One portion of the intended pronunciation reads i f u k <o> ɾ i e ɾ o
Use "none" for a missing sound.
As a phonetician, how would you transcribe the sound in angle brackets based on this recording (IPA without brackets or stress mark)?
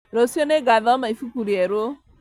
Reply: u